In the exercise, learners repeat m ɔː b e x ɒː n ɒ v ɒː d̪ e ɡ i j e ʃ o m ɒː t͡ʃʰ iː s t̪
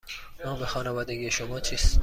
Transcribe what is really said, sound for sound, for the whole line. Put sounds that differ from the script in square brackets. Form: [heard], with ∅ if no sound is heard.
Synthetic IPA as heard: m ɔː b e x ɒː n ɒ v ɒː d̪ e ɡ i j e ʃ o m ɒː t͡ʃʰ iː s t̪